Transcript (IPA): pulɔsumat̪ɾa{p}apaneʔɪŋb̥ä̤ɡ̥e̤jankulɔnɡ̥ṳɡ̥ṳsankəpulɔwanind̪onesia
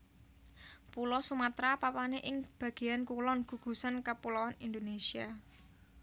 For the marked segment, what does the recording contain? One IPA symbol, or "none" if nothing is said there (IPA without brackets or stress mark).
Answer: p